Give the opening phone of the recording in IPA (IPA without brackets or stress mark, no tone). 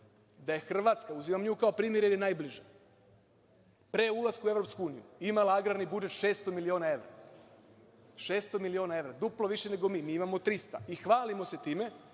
d̪